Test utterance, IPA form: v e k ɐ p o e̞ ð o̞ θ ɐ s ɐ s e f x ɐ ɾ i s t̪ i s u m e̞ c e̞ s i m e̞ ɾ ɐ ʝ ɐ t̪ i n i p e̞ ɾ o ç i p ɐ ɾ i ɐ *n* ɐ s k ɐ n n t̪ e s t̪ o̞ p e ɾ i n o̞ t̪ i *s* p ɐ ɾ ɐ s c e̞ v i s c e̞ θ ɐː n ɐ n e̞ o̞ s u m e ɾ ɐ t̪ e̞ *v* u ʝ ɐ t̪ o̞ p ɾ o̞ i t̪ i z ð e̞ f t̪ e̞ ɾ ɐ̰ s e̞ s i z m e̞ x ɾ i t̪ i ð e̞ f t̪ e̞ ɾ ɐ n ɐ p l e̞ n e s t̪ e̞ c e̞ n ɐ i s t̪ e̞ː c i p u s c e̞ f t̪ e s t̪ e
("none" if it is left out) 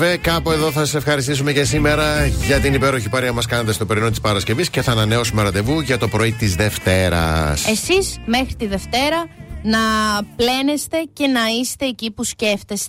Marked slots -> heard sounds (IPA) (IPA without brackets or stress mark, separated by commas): m, s, v